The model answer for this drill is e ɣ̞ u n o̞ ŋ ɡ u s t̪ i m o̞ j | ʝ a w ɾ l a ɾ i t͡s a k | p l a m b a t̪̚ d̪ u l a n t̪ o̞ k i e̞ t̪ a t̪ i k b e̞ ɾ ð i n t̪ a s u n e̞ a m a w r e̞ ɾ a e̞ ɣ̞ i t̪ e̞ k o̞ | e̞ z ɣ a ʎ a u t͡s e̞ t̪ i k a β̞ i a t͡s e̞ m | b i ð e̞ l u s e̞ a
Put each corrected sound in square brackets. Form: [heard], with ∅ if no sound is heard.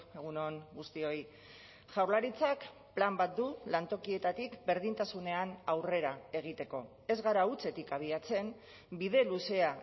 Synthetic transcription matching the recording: e ɣ̞ u n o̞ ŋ ɡ u s t̪ i [∅] o̞ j | ʝ a w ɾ l a ɾ i t͡s a k | p l a m b a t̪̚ d̪ u l a n t̪ o̞ k i e̞ t̪ a t̪ i k b e̞ ɾ ð i n t̪ a s u n e̞ a [n] a w r e̞ ɾ a e̞ ɣ̞ i t̪ e̞ k o̞ | e̞ z ɣ a [ɾ] a u t͡s e̞ t̪ i k a β̞ i a t͡s e̞ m | b i ð e̞ l u s e̞ a